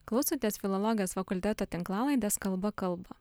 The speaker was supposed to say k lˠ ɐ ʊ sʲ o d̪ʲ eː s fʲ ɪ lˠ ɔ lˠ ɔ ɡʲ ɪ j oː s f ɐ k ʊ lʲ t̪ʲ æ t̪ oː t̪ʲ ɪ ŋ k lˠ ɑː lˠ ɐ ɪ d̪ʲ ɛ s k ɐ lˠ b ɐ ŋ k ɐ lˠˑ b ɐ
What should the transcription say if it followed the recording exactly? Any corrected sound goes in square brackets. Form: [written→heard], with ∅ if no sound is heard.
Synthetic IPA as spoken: k lˠ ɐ ʊ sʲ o [d̪ʲ→t̪ʲ] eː s fʲ ɪ lˠ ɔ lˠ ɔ ɡʲ ɪ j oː s f ɐ k ʊ lʲ t̪ʲ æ t̪ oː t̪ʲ ɪ ŋ k lˠ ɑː lˠ ɐ ɪ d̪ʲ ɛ s k ɐ lˠ b ɐ [ŋ→∅] k ɐ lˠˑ b ɐ